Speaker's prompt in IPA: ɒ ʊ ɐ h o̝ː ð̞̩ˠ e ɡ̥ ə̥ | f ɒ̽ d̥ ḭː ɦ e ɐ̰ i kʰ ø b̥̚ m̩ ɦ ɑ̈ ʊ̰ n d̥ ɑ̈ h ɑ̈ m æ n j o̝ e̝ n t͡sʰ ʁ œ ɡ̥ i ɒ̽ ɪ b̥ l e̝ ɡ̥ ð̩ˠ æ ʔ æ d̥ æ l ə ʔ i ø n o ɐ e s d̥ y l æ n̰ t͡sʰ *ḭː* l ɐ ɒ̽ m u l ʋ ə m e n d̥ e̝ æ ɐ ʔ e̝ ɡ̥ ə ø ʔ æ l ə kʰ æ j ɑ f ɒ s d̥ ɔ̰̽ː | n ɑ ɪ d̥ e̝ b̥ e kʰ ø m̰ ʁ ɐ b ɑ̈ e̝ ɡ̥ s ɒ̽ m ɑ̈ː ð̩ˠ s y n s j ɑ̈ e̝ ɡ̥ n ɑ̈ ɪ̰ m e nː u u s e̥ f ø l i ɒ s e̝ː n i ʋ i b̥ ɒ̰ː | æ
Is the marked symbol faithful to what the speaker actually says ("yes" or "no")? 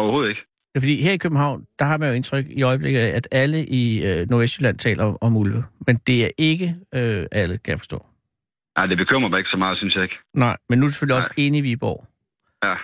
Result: no